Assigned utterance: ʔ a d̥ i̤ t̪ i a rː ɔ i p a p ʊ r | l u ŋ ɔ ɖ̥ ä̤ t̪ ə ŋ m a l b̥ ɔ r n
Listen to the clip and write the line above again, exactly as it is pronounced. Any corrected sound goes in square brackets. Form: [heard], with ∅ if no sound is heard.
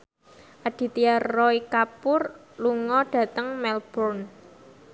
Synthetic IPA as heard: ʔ a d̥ i̤ t̪ i a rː ɔ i [k] a p ʊ r | l u ŋ ɔ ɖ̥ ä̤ t̪ ə ŋ m [ɛ] l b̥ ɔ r n